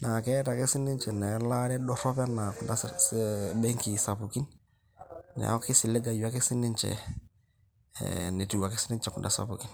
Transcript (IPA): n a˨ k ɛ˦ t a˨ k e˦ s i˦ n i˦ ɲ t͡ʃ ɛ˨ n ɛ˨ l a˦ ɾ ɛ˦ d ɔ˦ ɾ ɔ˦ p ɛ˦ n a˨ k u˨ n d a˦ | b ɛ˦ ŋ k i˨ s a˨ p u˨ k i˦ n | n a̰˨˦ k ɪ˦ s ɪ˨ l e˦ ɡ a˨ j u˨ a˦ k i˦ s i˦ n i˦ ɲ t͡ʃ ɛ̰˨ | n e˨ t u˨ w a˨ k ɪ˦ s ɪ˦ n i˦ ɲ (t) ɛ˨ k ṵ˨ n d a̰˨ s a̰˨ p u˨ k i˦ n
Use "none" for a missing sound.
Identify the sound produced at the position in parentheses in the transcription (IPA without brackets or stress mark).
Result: t͡ʃ